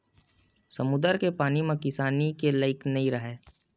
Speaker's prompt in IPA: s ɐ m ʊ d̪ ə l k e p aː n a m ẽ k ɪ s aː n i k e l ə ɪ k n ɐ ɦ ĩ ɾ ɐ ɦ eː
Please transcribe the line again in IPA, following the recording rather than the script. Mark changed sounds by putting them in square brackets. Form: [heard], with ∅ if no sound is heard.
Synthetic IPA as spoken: s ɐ m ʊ d̪ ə [ɾ] k e p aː n [i] m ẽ k ɪ s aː n i k e l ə ɪ k n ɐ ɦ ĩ ɾ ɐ ɦ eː